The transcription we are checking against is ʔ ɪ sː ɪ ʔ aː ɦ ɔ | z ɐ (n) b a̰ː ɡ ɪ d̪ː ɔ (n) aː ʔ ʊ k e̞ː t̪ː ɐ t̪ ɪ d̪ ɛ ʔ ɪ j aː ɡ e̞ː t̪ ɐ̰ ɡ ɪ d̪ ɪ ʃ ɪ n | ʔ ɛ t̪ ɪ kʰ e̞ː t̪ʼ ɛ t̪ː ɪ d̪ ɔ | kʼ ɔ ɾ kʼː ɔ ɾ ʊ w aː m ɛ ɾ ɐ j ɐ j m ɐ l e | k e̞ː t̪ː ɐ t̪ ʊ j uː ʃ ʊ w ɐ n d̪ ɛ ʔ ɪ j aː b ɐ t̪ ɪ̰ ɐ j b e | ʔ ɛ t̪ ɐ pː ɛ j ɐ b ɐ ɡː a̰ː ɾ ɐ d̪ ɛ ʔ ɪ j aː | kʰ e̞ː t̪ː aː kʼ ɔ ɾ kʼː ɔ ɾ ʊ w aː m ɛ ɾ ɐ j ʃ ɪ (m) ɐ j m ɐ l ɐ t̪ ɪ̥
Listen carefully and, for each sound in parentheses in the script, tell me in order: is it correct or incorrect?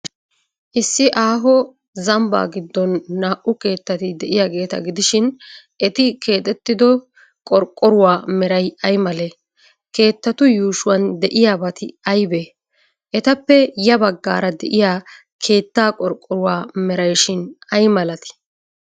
incorrect: m, incorrect: nː, incorrect: n

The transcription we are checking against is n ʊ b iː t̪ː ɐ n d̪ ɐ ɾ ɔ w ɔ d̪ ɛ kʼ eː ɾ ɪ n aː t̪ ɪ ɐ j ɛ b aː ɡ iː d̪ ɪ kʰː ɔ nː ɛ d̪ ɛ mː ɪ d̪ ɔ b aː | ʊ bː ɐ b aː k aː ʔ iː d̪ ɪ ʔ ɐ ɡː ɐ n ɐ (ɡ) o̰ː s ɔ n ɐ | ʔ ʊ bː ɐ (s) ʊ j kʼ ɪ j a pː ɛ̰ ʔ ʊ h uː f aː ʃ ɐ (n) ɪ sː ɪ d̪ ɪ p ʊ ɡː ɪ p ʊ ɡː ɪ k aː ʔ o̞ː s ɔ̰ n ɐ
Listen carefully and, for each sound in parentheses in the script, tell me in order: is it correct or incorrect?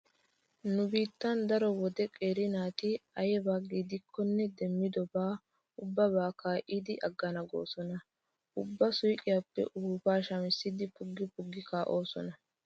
correct, correct, incorrect: m

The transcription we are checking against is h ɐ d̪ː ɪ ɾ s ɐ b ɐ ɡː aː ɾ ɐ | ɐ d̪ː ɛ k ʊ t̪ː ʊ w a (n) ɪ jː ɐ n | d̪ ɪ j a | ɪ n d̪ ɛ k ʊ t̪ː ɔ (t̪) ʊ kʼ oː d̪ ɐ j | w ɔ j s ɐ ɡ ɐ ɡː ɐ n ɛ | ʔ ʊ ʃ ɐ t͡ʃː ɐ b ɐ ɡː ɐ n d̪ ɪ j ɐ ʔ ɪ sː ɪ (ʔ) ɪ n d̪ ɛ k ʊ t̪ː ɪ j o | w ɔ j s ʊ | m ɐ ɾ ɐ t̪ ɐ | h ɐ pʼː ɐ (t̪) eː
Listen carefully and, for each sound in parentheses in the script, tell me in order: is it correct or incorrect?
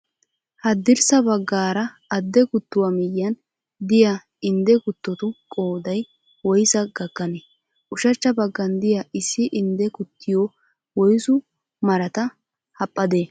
incorrect: m, correct, correct, incorrect: d̪

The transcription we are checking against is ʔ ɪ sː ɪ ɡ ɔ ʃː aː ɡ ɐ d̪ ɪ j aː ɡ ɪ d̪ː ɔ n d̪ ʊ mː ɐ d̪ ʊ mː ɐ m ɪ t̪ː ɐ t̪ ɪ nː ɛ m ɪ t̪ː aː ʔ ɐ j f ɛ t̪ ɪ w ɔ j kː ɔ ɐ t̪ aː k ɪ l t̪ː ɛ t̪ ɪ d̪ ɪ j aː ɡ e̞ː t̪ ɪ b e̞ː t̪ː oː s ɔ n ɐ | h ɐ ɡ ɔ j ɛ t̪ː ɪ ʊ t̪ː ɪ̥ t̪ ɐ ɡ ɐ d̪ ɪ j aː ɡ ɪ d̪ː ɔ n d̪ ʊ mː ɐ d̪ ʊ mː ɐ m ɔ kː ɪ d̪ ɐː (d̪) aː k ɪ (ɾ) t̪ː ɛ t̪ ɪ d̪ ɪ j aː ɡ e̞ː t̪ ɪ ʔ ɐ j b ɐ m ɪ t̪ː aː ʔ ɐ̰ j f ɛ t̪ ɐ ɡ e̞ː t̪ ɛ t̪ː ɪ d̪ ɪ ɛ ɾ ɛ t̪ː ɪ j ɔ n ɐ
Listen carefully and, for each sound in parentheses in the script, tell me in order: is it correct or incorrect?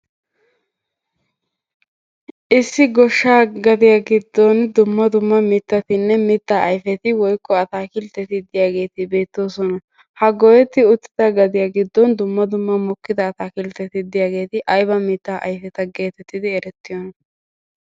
incorrect: t̪, incorrect: l

